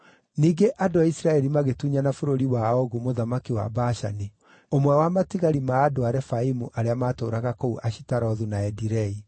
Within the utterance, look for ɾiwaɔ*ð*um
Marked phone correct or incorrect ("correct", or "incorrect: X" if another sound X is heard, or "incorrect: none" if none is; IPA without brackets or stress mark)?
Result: incorrect: ɣ